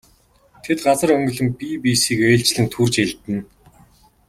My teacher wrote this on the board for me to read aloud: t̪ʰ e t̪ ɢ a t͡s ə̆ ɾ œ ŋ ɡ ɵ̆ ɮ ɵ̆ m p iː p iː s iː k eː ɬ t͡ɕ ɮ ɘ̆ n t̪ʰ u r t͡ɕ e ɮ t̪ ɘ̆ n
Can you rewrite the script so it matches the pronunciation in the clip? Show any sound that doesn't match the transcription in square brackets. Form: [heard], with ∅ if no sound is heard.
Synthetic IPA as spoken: t̪ʰ e t̪ ɢ a t͡s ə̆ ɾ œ ŋ ɡ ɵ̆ ɮ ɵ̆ m p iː p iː s iː k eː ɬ t͡ɕ ɮ ɘ̆ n t̪ʰ u r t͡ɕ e ɮ t̪ ɘ̆ n